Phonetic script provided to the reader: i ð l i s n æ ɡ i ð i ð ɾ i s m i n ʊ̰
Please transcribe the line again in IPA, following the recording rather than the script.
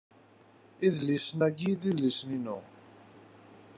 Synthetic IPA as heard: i ð l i s n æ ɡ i ð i ð l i s n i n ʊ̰